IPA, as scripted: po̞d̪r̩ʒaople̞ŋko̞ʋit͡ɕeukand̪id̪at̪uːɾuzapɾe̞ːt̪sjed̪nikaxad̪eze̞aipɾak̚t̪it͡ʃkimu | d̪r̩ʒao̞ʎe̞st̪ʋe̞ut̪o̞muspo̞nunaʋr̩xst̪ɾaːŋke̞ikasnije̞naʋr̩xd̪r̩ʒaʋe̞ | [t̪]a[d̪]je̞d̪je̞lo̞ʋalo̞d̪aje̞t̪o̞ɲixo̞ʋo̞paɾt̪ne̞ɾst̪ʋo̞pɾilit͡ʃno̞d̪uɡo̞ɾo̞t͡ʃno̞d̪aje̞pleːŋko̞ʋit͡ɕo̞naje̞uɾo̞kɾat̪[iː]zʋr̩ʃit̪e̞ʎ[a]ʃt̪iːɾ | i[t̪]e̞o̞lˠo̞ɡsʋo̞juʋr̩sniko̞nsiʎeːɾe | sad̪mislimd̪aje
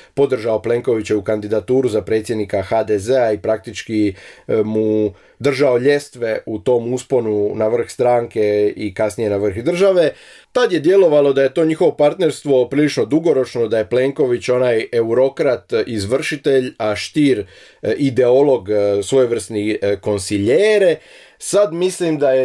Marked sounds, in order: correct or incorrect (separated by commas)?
correct, correct, incorrect, correct, incorrect